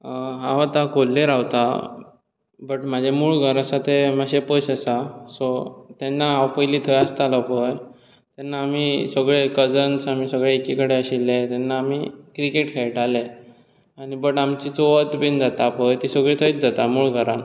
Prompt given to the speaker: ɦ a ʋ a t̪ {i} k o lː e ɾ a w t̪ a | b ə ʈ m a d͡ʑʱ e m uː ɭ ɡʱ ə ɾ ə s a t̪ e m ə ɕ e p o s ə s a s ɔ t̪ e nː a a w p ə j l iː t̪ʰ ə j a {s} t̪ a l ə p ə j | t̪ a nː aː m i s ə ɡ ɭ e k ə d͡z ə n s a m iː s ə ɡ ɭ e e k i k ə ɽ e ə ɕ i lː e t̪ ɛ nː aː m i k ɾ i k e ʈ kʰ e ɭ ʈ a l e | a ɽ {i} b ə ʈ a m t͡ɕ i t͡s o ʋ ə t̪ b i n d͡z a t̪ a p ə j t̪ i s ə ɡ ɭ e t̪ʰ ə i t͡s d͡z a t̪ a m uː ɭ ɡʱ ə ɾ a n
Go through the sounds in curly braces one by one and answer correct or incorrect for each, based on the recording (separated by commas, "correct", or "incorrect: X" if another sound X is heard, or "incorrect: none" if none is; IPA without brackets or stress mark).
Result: incorrect: a, correct, correct